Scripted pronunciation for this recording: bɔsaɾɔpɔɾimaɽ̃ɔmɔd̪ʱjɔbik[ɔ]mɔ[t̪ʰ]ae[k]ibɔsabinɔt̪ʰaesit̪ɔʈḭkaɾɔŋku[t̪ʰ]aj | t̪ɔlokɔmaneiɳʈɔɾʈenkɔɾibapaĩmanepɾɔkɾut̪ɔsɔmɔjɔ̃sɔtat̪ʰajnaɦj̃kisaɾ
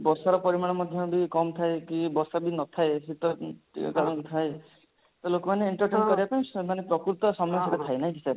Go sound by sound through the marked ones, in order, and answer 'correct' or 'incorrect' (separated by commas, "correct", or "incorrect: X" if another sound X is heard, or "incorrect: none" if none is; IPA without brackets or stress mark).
correct, correct, correct, correct